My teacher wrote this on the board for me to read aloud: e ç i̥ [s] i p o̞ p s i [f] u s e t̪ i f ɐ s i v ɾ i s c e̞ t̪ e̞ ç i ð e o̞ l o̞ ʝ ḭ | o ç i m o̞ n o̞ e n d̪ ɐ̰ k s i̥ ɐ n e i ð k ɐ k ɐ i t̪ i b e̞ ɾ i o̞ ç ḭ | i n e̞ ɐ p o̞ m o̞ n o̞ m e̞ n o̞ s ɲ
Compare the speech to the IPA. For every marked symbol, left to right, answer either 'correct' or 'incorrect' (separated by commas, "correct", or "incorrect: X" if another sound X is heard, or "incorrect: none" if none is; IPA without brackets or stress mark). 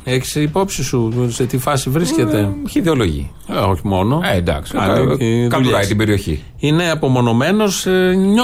correct, incorrect: s